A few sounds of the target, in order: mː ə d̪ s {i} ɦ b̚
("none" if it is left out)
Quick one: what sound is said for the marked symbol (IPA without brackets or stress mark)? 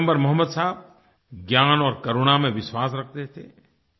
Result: a